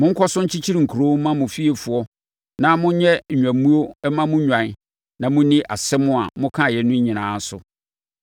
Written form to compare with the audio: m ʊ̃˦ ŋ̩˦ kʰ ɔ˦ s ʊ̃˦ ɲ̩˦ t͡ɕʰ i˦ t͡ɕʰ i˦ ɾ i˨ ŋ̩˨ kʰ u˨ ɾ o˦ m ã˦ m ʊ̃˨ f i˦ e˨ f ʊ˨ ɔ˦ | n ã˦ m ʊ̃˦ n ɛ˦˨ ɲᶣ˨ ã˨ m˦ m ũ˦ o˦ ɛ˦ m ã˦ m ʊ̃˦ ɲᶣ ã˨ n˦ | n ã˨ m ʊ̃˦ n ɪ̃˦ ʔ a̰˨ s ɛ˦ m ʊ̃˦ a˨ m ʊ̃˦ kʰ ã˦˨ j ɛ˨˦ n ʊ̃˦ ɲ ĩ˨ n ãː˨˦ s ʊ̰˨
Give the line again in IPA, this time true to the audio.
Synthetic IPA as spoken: m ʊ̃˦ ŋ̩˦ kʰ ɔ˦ s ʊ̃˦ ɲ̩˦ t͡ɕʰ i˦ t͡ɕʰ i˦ ɾ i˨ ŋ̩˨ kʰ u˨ ɾ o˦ m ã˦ m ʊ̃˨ f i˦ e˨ f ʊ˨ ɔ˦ | n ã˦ m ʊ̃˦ ɲ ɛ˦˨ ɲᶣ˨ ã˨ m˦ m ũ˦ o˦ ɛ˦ m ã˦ m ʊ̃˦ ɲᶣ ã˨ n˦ | n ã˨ m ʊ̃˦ n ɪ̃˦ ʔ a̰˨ s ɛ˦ m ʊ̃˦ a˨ m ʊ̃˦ kʰ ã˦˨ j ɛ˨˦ n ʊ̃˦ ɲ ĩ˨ n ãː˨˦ s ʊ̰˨